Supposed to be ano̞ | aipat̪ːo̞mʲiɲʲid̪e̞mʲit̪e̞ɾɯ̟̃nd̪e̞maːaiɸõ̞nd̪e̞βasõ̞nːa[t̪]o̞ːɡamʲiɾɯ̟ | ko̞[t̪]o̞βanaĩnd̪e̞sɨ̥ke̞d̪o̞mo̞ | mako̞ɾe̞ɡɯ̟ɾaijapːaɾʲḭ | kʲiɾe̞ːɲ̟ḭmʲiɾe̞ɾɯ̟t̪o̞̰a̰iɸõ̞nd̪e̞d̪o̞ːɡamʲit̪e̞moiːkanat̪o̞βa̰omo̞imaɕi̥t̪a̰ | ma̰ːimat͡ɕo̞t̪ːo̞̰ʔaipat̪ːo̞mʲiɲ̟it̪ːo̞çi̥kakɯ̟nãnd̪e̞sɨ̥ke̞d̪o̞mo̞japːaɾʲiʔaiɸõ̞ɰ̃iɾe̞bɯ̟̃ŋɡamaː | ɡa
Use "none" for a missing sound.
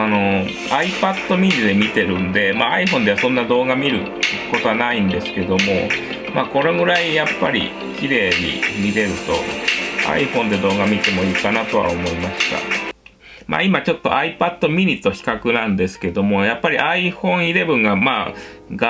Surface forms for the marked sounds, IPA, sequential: d̪, t̪

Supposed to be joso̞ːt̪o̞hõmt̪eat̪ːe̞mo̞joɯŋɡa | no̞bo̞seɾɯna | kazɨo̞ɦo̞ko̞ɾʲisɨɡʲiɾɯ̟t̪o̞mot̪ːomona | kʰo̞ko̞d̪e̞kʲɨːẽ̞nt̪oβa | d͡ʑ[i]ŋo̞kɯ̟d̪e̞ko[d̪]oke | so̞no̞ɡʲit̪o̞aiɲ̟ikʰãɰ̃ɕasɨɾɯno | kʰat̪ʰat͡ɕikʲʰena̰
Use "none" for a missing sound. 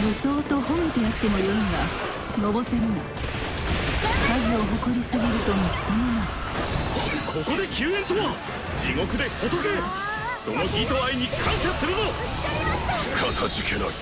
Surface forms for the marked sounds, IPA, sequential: i, t̪

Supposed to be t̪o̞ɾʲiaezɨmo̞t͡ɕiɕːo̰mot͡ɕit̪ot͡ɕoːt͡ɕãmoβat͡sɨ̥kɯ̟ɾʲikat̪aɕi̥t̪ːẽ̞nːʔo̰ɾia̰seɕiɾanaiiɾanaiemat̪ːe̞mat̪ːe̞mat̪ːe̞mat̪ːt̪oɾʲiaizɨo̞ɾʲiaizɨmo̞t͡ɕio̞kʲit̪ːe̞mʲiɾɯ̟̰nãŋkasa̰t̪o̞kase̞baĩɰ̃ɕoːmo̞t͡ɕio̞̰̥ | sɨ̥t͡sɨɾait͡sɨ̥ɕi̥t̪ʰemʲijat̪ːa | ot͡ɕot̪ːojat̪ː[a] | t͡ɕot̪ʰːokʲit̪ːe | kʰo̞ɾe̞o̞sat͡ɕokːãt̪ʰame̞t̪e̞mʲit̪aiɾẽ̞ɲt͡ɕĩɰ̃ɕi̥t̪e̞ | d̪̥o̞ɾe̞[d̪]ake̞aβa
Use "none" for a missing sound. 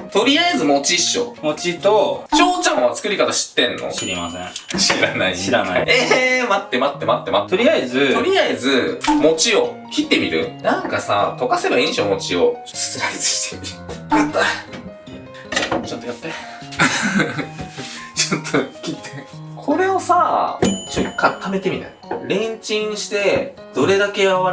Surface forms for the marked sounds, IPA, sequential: e, d̪

